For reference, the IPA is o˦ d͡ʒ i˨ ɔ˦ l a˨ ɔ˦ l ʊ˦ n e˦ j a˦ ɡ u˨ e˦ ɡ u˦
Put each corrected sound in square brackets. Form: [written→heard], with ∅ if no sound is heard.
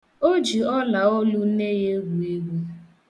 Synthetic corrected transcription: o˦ d͡ʒ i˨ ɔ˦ l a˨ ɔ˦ l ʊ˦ n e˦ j [a˦→e˦] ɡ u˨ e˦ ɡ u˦